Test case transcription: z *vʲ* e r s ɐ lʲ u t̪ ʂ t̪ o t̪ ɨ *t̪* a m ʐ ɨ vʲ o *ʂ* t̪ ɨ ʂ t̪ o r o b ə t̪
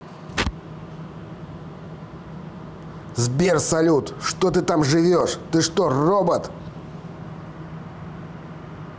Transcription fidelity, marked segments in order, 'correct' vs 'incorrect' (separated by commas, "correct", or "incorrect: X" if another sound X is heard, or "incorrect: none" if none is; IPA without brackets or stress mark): incorrect: bʲ, correct, correct